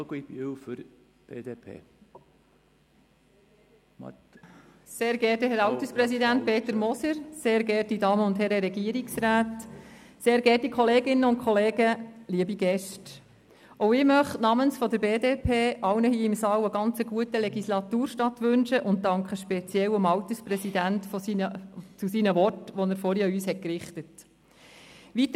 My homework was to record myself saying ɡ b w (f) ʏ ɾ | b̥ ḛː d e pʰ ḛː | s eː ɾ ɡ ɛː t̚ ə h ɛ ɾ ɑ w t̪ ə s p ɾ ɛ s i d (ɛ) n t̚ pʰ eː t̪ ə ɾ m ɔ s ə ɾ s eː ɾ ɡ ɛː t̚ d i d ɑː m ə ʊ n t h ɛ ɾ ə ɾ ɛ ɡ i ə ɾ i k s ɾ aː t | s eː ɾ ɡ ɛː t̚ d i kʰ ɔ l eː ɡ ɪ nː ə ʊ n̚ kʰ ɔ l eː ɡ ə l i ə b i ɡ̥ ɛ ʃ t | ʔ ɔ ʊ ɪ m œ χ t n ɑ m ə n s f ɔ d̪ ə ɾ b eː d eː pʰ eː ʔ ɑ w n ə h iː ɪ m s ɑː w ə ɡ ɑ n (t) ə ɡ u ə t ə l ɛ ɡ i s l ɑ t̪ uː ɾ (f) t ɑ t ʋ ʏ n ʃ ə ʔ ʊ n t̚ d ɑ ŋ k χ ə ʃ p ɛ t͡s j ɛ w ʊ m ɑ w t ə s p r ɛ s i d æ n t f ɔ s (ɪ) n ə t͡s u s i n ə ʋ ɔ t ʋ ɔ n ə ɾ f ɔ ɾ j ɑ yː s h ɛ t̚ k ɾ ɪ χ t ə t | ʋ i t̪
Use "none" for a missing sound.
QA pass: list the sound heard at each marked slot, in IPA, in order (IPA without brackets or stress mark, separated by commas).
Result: f, æ, t͡s, ʃ, i